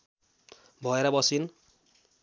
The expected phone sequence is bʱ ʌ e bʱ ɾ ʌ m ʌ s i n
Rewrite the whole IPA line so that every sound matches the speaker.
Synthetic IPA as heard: bʱ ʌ e ɾ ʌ b ʌ s i n